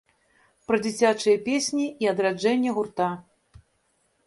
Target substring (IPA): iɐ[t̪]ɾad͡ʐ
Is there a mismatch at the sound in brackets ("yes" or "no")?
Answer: yes